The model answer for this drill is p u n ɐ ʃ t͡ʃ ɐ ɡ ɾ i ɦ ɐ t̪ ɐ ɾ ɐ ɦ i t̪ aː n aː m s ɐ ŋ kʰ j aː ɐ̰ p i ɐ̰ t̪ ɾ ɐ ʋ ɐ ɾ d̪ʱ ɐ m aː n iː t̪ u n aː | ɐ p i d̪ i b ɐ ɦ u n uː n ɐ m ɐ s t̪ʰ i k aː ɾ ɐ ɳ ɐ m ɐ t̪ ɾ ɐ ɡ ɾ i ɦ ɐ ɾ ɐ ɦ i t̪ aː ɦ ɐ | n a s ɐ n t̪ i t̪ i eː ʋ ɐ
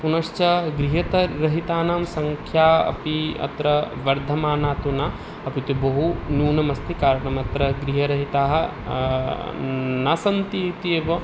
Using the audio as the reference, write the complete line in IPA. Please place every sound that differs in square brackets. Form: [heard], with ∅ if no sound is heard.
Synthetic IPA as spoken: p u n ɐ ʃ t͡ʃ ɐ ɡ ɾ i ɦ ɐ t̪ ɐ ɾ ɐ ɦ i t̪ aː n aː m s ɐ ŋ kʰ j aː ɐ̰ p i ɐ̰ t̪ ɾ ɐ ʋ ɐ ɾ d̪ʱ ɐ m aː n [aː] t̪ u n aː | ɐ p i [t̪] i b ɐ ɦ u n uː n ɐ m ɐ s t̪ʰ i k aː ɾ ɐ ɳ ɐ m ɐ t̪ ɾ ɐ ɡ ɾ i ɦ ɐ ɾ ɐ ɦ i t̪ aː ɦ ɐ | n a s ɐ n t̪ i t̪ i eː ʋ ɐ